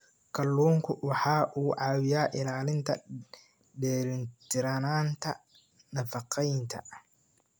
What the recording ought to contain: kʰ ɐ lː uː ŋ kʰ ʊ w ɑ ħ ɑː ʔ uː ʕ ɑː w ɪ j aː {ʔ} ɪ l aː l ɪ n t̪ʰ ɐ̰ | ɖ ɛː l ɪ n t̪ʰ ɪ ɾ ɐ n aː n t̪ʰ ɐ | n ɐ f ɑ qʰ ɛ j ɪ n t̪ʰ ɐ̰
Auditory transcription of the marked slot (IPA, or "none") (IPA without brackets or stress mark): ʔ